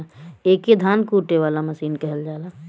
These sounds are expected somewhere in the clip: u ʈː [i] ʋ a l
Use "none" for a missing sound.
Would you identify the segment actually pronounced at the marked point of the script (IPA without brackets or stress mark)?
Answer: e